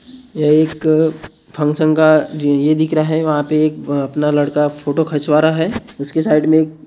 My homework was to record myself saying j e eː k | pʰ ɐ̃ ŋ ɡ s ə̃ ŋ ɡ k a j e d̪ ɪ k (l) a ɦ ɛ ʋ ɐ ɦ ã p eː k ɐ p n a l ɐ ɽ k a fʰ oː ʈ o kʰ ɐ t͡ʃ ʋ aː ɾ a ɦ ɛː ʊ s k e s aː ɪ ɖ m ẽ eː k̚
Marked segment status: incorrect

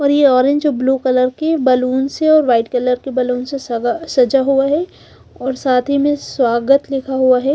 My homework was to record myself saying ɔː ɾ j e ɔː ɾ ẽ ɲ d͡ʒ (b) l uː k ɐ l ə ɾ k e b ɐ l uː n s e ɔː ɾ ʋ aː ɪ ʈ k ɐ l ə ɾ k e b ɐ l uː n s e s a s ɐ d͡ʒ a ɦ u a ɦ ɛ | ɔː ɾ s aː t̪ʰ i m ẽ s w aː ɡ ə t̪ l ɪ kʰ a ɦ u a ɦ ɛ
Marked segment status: correct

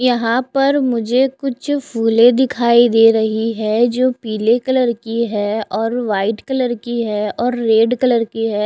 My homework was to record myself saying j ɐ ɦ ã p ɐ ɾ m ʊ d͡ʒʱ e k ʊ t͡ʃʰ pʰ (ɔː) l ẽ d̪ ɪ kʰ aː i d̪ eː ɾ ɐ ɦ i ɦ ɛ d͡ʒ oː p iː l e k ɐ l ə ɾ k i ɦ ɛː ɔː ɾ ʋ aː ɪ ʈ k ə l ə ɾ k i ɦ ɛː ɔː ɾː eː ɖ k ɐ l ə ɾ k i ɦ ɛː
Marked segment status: incorrect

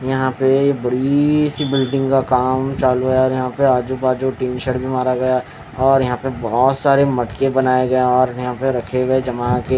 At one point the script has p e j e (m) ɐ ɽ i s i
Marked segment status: incorrect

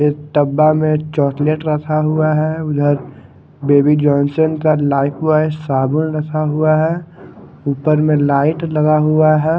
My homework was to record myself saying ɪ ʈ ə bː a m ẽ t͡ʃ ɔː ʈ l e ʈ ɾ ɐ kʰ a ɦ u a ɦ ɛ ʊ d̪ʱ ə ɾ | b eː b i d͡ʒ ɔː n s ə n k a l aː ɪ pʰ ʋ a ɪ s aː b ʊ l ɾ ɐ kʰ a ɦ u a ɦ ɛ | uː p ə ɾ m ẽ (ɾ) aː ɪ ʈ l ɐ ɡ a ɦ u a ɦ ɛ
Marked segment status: incorrect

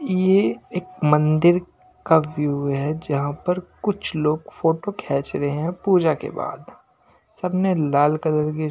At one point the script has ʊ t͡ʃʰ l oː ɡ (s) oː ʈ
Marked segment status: incorrect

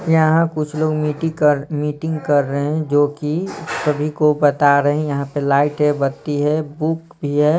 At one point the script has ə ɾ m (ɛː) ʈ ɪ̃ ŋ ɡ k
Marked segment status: incorrect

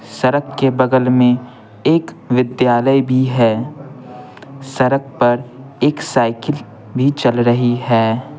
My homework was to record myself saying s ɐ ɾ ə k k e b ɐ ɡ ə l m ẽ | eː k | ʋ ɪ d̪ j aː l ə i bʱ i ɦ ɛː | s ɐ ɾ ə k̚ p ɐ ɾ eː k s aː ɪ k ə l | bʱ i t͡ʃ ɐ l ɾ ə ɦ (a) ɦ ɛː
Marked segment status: incorrect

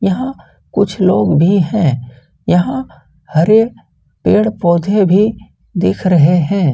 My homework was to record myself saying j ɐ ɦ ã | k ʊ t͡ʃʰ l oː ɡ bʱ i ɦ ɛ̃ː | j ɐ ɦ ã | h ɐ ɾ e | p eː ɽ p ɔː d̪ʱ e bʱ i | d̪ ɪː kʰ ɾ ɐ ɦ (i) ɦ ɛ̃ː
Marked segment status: incorrect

